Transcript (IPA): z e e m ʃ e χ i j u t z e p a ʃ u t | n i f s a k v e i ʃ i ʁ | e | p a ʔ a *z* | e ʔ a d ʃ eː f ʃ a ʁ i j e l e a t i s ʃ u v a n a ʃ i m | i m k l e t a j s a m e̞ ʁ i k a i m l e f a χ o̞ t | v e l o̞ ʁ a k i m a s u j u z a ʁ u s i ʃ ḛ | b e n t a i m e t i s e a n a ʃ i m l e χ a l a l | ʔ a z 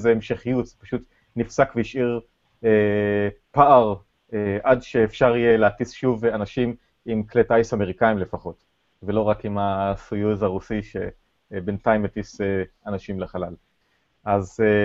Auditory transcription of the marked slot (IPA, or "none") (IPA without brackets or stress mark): ʁ